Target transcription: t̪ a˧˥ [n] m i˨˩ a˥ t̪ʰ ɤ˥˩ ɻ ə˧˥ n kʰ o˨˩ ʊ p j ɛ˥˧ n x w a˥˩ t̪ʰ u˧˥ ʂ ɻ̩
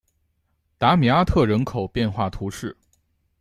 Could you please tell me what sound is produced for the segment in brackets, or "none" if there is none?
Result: none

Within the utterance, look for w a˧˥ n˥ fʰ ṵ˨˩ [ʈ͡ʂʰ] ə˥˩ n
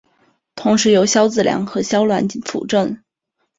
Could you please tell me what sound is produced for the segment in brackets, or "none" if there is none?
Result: ʈ͡ʂ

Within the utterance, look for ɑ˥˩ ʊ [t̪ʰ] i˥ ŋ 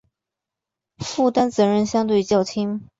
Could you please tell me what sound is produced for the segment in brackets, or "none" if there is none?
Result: t̪ʰ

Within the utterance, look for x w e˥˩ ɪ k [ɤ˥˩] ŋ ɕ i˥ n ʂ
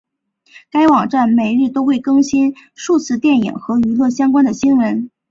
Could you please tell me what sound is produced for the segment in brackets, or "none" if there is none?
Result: ɤ˥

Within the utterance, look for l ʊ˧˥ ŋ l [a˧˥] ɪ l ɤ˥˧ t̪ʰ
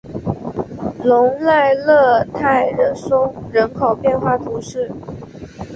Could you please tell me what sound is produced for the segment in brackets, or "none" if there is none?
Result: a˥˧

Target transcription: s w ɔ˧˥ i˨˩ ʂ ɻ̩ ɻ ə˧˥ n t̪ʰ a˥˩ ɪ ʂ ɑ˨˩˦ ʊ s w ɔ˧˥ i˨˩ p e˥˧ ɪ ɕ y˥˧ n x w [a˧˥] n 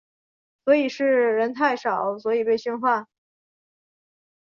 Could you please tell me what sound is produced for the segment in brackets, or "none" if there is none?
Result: a˥˩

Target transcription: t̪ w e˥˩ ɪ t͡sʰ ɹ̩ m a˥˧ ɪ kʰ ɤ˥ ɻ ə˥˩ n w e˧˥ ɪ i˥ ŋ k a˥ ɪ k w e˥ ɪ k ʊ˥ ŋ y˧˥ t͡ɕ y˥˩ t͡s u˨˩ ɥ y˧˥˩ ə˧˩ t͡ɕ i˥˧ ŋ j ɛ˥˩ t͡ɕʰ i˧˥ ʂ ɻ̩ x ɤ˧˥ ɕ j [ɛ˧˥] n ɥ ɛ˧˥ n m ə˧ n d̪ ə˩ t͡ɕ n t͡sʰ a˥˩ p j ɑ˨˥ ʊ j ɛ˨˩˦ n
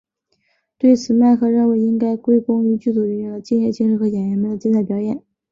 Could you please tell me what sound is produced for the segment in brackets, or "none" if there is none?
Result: ɛ˨˩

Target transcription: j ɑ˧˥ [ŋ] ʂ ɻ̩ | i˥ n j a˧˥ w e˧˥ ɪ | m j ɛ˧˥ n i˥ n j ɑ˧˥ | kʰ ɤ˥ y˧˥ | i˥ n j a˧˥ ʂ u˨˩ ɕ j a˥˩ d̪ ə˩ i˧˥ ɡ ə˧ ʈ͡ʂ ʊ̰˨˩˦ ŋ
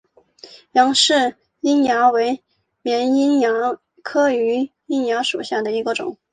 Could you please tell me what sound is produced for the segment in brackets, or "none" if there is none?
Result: ŋ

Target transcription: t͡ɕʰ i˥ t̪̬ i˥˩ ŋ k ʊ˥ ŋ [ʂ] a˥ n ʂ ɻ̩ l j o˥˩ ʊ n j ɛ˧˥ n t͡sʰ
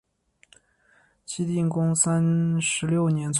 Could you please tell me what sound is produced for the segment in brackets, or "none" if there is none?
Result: s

